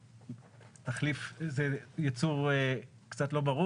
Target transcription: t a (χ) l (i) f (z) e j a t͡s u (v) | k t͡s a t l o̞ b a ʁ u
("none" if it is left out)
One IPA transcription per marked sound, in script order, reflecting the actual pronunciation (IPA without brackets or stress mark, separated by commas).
χ, i, z, ʁ